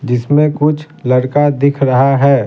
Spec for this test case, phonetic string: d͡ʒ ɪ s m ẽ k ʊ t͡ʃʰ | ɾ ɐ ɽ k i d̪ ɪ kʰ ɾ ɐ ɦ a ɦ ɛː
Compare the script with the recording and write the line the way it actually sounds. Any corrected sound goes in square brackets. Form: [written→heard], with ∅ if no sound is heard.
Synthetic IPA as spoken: d͡ʒ ɪ s m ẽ k ʊ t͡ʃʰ | [ɾ→l] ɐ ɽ k [i→a] d̪ ɪ kʰ ɾ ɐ ɦ a ɦ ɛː